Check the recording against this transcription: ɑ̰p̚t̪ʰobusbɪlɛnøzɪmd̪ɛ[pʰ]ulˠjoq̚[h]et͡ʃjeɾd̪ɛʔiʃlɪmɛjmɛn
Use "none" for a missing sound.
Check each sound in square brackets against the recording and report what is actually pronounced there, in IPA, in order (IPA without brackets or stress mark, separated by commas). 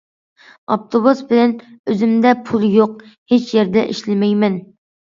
pʰ, h